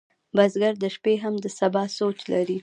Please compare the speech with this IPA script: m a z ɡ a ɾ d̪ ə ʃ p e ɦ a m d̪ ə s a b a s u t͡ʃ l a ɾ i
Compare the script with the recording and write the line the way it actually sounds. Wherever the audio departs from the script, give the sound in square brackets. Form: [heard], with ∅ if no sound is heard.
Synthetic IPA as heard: [b] a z ɡ a ɾ d̪ ə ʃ p e ɦ a m d̪ ə s a b [ɑ] s [o] t͡ʃ l a ɾ i

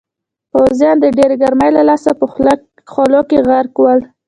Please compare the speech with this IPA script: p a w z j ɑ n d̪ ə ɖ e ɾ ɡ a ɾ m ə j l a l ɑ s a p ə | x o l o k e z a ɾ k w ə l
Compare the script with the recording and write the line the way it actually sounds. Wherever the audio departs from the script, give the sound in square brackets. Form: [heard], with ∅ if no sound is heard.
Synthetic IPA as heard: p a w z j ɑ n d̪ ə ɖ e ɾ ɡ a ɾ m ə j l a l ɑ s a p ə | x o l o k e [ɣ] a ɾ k w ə l

